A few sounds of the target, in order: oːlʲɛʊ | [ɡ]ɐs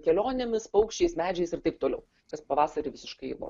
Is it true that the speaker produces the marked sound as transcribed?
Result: no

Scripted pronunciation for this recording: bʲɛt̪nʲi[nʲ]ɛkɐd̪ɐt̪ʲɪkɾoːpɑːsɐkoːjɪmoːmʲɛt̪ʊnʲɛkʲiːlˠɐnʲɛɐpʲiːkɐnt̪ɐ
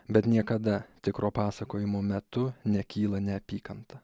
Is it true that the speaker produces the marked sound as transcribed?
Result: no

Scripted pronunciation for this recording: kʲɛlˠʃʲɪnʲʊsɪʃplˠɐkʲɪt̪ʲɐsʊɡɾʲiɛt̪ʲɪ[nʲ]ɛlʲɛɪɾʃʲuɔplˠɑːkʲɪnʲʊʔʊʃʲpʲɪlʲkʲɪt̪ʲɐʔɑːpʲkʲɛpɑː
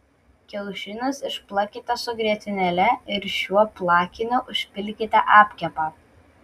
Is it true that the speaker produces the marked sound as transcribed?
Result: yes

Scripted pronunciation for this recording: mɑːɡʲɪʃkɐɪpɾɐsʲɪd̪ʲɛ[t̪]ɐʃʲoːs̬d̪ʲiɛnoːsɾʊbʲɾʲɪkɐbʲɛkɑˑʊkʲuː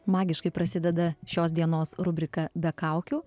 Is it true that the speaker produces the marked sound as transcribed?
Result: no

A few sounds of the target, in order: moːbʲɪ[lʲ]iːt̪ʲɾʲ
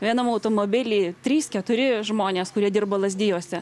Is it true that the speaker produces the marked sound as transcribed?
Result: yes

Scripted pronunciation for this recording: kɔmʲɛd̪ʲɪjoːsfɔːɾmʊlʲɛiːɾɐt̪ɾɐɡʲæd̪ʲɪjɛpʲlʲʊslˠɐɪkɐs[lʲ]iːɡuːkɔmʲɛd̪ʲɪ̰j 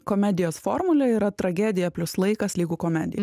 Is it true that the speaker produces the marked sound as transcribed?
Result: yes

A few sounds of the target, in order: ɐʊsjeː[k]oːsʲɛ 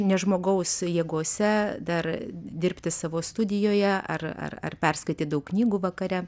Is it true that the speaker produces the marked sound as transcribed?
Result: no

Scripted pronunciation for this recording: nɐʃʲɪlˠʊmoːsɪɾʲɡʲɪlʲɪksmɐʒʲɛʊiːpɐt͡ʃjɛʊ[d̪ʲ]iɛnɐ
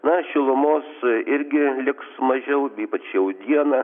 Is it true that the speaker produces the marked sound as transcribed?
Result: yes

